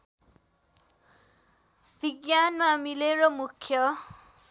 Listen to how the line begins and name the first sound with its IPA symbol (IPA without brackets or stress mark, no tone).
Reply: bʱ